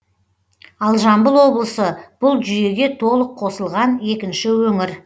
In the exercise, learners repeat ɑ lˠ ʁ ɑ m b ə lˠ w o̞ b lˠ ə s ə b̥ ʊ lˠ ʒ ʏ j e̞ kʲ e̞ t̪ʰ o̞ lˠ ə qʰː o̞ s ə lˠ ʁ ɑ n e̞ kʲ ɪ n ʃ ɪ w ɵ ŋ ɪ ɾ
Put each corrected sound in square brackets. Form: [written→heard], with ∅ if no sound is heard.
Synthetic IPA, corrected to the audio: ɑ lˠ [ʁ→ʒ] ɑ m b ə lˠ w o̞ b lˠ ə s ə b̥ ʊ lˠ ʒ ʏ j e̞ [kʲ→ɡʲ] e̞ t̪ʰ o̞ lˠ ə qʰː o̞ s ə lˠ ʁ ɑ n e̞ kʲ ɪ n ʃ ɪ w ɵ ŋ ɪ ɾ